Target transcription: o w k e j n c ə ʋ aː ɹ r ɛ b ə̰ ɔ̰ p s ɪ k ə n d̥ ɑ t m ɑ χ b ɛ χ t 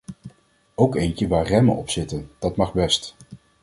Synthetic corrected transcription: o w k e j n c ə ʋ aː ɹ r ɛ m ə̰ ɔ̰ p s ɪ t ə n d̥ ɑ t m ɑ χ b ɛ s t

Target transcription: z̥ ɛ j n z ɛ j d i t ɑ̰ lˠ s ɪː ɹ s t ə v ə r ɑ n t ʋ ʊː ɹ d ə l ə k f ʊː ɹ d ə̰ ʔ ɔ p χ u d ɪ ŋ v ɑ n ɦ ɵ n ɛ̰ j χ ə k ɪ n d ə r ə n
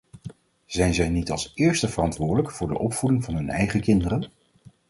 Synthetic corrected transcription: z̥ ɛ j n z ɛ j n i t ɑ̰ lˠ s ɪː ɹ s t ə v ə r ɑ n t ʋ ʊː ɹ d ə l ə k f ʊː ɹ d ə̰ ʔ ɔ p f u d ɪ ŋ v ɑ n ɦ ɵ n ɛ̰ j χ ə k ɪ n d ə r ə n

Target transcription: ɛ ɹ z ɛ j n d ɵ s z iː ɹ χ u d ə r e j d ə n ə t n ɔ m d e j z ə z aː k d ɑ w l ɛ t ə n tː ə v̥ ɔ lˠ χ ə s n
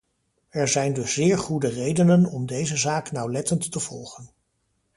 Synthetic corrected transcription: ɛ ɹ z ɛ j n d ɵ s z ɪː ɹ χ u d ə r e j d ə n ə n ɔ m d e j z ə z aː k n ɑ w l ɛ t ə n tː ə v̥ ɔ lˠ χ ə n

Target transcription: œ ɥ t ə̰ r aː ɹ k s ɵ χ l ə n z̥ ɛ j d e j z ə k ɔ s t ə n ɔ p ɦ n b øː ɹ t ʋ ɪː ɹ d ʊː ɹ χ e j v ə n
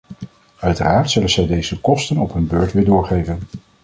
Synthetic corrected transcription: œ ɥ t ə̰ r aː ɹ t s ɵ l ə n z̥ ɛ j d e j z ə k ɔ s t ə n ɔ p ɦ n b øː ɹ t ʋ ɪː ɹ d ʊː ɹ χ e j v ə n

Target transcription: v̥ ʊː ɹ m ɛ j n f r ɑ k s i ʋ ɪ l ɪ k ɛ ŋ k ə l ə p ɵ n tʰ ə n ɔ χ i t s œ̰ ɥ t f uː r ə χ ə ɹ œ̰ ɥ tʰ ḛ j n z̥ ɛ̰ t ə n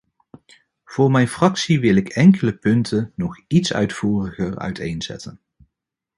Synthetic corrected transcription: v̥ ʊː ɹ m ɛ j n f r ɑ k s i ʋ ɪ l ɪ k ɛ ŋ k ə l ə p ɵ n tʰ ə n ɔ χ i t s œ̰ ɥ t f uː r ə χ ə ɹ œ̰ ɥ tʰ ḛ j n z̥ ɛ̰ t ə n

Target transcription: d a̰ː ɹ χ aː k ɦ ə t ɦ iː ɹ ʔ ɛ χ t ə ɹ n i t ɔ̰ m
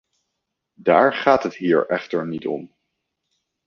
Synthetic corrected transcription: d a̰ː ɹ χ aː t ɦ ə t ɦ iː ɹ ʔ ɛ χ t ə ɹ n i t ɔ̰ m

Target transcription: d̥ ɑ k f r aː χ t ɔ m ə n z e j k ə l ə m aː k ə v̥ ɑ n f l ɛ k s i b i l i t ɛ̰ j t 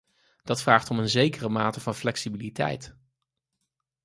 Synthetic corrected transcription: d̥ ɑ t f r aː χ t ɔ m ə n z e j k ə r ə m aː t ə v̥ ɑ n f l ɛ k s i b i l i t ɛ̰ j t

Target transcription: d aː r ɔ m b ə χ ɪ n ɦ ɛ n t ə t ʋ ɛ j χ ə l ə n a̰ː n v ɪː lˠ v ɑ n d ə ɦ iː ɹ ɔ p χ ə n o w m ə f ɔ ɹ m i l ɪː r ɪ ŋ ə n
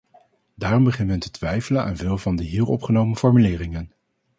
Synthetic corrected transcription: d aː r ɔ m b ə χ ɪ n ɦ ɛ n t ə t ʋ ɛ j f ə l ə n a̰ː n v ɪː lˠ v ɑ n d ə ɦ iː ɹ ɔ p χ ə n o w m ə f ɔ ɹ m y l ɪː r ɪ ŋ ə n

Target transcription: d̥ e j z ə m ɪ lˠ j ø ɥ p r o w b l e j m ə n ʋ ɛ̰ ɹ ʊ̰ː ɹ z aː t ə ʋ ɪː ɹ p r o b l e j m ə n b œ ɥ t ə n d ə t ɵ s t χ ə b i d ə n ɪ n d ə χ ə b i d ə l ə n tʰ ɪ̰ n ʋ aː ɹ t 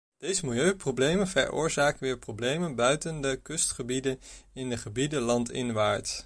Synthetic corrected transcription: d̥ e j z ə m ɪ lˠ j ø ɥ p r o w b l e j m ə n v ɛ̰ ɹ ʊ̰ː ɹ z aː k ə ʋ ɪː ɹ p r o b l e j m ə n b œ ɥ t ə n d ə k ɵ s t χ ə b i d ə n ɪ n d ə χ ə b i d ə l ɑ n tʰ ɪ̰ n ʋ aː ɹ t

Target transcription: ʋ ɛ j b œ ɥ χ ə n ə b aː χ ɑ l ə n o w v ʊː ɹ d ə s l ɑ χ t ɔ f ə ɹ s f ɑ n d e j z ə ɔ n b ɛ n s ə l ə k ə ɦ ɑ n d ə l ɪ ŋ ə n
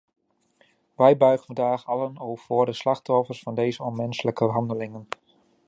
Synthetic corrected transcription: ʋ ɛ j b œ ɥ χ ə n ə d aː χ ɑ l ə n o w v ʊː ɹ d ə s l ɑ χ t ɔ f ə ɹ s f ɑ n d e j z ə ɔ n m ɛ n s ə l ə k ə ɦ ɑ n d ə l ɪ ŋ ə n

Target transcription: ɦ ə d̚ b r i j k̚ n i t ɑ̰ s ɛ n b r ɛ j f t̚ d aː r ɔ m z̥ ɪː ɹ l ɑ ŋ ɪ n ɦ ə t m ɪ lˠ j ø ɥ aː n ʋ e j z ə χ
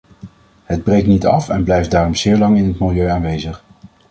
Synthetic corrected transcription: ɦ ə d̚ b r e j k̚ n i t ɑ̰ f ɛ n b l ɛ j f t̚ d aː r ɔ m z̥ ɪː ɹ l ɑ ŋ ɪ n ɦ ə t m ɪ lˠ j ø ɥ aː n ʋ e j z ə χ

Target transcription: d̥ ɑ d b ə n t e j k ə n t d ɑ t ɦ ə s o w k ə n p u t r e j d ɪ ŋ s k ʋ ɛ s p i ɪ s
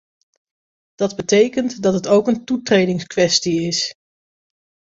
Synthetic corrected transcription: d̥ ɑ d b ə t e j k ə n t d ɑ t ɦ ə t o w k ə n t u t r e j d ɪ ŋ s k ʋ ɛ s t i ɪ s

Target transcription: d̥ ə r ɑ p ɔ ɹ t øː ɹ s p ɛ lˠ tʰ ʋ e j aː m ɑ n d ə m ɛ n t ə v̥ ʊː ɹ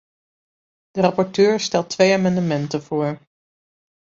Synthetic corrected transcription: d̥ ə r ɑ p ɔ ɹ t øː ɹ s t ɛ lˠ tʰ ʋ e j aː m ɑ n d ə m ɛ n t ə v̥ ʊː ɹ

